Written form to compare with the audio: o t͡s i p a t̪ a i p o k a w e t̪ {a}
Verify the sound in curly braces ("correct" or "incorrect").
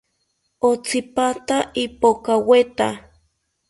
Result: correct